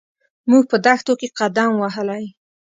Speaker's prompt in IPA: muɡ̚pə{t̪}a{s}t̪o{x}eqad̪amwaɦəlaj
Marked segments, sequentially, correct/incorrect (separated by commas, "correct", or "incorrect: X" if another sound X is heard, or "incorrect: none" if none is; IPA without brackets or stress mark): incorrect: d̪, incorrect: x, incorrect: k